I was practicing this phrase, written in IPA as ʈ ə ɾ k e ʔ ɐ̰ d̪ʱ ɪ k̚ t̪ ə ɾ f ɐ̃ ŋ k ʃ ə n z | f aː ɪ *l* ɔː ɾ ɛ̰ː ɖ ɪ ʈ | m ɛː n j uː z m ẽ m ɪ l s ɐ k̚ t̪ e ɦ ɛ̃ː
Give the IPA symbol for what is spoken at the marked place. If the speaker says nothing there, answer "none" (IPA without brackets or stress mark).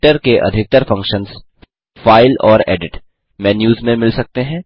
l